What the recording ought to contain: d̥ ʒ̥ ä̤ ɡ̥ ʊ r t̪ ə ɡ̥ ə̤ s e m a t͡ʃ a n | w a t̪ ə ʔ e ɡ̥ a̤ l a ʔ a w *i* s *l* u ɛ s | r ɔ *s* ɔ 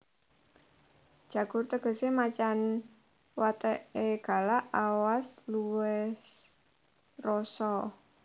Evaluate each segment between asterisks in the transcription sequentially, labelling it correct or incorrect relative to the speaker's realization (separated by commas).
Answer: incorrect, correct, correct